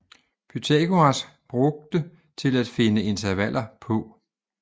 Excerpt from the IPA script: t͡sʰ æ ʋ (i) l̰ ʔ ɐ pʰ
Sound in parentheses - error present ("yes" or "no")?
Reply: yes